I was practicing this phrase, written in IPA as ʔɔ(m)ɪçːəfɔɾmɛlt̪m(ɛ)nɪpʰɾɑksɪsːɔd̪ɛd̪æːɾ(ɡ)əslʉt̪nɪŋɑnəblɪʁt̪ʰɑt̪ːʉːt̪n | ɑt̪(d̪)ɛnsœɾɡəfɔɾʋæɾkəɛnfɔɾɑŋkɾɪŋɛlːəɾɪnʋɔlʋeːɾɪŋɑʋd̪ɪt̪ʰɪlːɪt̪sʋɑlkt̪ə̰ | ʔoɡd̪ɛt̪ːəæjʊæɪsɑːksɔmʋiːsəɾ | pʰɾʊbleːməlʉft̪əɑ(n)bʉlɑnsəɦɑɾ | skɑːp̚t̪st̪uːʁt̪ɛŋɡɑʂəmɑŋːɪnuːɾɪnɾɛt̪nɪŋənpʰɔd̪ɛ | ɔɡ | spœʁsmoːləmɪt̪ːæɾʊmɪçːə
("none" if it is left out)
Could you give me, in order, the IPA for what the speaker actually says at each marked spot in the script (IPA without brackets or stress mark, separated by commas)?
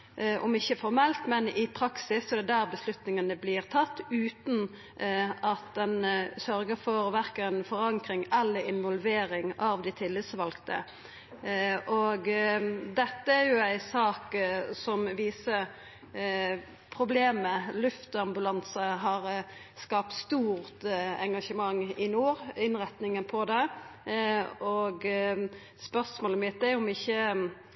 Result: m, ɛ, b, d̪, m